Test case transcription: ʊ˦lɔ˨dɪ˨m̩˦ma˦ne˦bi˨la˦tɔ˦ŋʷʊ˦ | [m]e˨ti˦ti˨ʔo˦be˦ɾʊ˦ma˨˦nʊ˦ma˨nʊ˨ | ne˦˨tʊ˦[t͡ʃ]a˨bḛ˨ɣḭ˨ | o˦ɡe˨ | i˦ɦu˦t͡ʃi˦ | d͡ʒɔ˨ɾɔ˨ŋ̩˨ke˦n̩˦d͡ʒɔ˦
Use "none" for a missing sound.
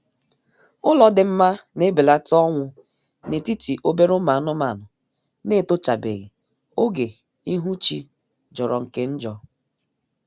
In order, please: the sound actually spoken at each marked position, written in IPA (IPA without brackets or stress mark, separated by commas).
n, t͡ʃ